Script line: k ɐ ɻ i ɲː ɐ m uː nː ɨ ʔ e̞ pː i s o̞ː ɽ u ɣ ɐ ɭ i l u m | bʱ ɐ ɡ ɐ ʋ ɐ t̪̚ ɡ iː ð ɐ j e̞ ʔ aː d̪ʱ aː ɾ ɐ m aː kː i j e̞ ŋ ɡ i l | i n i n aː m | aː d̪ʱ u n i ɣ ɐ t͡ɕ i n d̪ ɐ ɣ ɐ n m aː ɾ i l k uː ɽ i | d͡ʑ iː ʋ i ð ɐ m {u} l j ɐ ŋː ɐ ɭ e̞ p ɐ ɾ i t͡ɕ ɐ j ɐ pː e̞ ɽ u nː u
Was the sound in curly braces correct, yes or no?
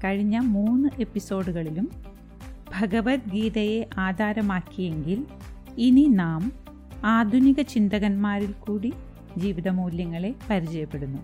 no